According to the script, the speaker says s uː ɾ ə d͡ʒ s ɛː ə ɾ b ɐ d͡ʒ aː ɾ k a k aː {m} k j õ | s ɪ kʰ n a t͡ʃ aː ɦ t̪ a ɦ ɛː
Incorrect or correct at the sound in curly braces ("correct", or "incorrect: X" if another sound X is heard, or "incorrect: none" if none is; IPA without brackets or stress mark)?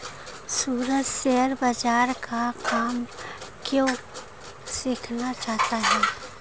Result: correct